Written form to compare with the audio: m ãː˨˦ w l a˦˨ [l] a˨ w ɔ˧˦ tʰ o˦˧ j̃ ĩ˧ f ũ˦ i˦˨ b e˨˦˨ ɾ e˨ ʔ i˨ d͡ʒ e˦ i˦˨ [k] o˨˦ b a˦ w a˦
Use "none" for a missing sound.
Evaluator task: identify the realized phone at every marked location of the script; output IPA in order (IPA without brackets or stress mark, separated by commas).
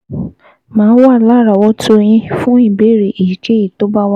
ɾ, t